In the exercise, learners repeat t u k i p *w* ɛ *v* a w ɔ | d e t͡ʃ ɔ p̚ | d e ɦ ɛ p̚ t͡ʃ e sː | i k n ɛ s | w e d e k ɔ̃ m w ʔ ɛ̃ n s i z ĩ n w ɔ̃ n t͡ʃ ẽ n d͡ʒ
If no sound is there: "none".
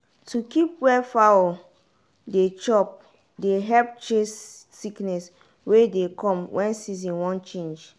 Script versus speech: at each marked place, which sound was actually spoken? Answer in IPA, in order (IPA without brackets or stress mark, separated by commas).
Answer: w, f